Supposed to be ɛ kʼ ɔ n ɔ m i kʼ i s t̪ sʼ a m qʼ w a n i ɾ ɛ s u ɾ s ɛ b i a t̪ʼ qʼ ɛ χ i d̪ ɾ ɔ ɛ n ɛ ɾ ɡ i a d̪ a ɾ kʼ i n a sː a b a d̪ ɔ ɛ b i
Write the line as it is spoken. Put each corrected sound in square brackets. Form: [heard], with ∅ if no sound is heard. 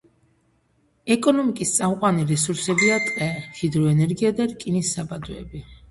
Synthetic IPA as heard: ɛ kʼ ɔ n ɔ m i kʼ i s t̪ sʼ a m qʼ w a n i ɾ ɛ s u ɾ s ɛ b i a t̪ʼ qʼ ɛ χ i d̪ ɾ ɔ ɛ n ɛ ɾ ɡ i a d̪ a ɾ kʼ i n [i] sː a b a d̪ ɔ ɛ b i